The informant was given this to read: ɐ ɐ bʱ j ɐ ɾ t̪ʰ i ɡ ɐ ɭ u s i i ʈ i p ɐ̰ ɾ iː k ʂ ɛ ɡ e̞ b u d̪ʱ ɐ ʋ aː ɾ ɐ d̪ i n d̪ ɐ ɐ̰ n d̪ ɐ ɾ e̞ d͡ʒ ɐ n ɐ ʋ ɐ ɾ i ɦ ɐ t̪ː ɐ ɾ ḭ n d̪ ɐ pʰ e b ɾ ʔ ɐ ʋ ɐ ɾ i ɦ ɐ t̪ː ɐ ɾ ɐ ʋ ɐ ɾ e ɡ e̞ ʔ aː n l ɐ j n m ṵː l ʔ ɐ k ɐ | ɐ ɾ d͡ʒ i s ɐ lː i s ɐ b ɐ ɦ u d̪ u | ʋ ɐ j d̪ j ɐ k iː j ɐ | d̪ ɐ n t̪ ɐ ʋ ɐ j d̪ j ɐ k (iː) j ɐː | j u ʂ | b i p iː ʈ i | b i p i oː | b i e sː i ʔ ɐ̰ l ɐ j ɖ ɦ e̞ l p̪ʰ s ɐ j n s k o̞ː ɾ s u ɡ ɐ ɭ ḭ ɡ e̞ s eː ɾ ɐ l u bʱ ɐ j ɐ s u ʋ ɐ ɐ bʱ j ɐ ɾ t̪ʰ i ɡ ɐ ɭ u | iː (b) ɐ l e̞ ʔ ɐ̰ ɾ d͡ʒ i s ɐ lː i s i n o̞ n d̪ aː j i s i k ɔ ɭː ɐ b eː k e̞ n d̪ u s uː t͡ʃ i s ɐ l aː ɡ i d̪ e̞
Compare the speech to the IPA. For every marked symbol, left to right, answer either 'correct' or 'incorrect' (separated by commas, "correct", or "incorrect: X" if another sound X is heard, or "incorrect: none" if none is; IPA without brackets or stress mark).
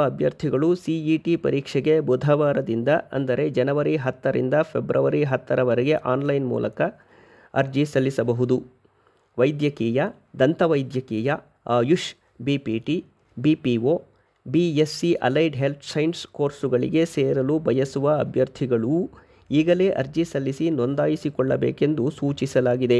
correct, incorrect: ɡ